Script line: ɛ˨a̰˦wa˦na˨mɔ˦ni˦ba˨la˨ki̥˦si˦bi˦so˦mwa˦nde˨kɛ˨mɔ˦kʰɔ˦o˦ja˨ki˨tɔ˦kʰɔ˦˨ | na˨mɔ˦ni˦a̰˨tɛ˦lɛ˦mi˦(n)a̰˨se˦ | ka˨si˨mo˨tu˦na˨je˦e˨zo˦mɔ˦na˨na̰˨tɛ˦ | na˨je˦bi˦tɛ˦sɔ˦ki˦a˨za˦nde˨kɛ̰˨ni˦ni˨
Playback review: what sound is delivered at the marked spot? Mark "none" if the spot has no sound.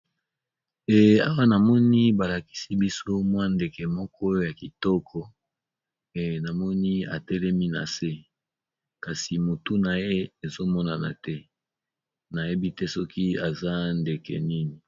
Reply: n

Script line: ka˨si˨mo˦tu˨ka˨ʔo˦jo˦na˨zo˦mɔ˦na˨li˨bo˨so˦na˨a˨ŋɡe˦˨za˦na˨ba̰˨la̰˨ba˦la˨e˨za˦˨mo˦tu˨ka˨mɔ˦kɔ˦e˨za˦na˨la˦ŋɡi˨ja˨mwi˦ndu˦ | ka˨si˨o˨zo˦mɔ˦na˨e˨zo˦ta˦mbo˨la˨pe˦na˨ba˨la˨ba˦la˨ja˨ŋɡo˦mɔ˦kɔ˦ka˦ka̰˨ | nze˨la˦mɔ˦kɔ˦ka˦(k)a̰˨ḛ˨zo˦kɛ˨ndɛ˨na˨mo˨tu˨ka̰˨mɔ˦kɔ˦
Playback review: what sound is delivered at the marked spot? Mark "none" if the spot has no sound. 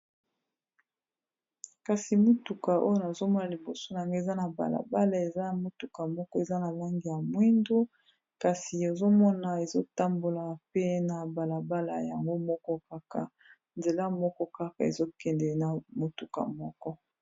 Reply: k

